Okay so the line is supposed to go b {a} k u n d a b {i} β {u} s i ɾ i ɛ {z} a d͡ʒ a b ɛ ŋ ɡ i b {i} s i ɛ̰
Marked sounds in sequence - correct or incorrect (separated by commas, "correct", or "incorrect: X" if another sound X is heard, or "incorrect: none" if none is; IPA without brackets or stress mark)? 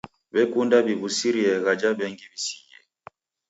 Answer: incorrect: ɛ, correct, correct, incorrect: ɣ, correct